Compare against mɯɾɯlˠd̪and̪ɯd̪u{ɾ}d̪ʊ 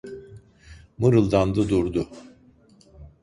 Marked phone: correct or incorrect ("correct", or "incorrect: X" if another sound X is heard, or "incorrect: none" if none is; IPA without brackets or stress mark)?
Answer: correct